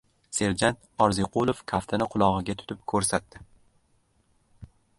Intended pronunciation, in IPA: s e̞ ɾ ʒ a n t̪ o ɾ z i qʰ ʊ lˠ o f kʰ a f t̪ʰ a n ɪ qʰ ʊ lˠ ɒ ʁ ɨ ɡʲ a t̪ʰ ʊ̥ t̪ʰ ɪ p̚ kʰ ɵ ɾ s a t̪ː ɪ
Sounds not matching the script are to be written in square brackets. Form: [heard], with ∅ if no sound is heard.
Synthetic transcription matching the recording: s e̞ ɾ [d͡ʒ] a n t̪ [ɒ] ɾ z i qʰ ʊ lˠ o f kʰ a f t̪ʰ a n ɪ qʰ ʊ lˠ ɒ ʁ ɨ ɡʲ a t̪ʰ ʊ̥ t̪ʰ ɪ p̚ kʰ ɵ ɾ s a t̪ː ɪ